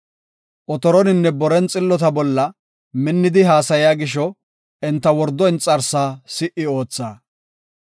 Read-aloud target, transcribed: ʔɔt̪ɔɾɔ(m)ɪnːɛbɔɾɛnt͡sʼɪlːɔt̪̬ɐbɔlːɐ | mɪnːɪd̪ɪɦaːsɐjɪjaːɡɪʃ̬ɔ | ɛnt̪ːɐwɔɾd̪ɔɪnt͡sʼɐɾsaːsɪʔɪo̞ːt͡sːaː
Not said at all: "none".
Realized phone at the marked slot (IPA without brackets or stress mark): n